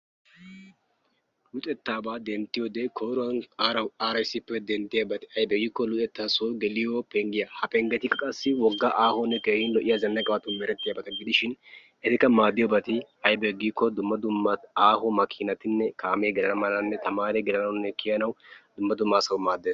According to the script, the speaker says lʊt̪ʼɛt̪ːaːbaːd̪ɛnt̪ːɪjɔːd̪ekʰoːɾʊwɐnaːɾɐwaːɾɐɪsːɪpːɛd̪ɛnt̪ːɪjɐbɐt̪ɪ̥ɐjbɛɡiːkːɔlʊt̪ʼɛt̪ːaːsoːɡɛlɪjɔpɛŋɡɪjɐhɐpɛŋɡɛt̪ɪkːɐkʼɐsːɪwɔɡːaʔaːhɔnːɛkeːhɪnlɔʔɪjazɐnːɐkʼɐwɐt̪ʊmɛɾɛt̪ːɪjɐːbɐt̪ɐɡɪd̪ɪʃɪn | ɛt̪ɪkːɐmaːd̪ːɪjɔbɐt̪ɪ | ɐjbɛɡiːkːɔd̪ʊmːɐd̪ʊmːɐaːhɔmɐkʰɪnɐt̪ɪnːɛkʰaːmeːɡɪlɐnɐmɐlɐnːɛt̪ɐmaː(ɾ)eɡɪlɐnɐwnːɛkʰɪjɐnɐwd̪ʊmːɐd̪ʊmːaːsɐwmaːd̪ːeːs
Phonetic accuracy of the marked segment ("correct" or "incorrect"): correct